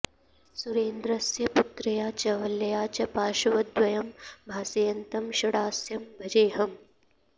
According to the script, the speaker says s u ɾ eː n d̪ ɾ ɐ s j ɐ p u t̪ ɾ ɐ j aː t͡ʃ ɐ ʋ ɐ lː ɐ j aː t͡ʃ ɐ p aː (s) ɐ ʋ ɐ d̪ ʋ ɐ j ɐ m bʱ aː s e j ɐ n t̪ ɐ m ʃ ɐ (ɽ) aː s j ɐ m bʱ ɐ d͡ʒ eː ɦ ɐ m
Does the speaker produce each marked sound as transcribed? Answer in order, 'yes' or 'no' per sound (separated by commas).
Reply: no, yes